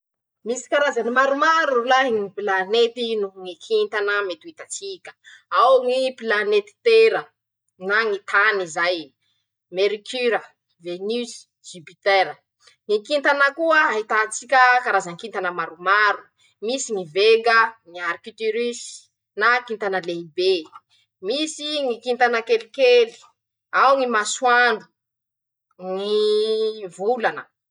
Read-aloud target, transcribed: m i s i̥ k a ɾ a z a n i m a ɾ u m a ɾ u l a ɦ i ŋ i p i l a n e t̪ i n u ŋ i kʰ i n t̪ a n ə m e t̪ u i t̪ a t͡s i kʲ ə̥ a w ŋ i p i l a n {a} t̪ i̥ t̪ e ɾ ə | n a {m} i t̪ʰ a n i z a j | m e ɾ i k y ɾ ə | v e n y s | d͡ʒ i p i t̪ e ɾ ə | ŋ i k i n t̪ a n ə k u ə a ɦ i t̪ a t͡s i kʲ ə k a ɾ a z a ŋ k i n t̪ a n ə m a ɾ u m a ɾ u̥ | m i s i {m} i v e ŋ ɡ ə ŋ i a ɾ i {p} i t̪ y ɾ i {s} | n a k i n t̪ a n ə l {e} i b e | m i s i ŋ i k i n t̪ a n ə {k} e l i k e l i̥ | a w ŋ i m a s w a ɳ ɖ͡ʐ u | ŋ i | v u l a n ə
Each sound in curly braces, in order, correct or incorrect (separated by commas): incorrect, incorrect, incorrect, incorrect, correct, correct, correct